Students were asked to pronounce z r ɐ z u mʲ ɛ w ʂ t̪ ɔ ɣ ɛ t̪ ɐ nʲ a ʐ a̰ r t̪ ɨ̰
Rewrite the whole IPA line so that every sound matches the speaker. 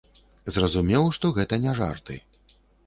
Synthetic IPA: z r ɐ z u mʲ ɛ w ʂ t̪ ɔ ɣ ɛ t̪ ɐ nʲ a ʐ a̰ r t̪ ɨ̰